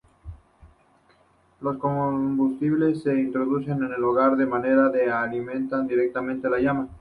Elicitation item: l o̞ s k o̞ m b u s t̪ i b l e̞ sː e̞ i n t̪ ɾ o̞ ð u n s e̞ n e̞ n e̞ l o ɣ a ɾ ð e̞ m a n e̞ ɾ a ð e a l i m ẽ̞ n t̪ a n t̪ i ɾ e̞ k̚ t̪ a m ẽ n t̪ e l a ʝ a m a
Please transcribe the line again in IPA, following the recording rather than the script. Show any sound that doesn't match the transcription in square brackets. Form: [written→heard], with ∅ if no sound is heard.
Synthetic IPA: l o̞ s k o̞ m b u s t̪ i [b→β] l e̞ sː e̞ i n t̪ ɾ o̞ ð u [n→∅] s e̞ n e̞ n e̞ l o ɣ a ɾ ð e̞ m a n e̞ ɾ a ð e a l i m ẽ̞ n t̪ a n [t̪→d̪] i ɾ e̞ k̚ t̪ a m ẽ n t̪ e l a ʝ a m a